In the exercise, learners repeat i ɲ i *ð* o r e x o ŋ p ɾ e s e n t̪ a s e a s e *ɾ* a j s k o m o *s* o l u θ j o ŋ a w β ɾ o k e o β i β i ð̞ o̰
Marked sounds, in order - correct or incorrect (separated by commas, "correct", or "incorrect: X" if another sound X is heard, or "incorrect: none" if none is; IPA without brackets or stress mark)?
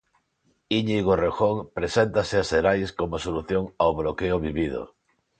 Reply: incorrect: ɣ, correct, correct